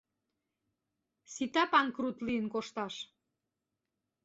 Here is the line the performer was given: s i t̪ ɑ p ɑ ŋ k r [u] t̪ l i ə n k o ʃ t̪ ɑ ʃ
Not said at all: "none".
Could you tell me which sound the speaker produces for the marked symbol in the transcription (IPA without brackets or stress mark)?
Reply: u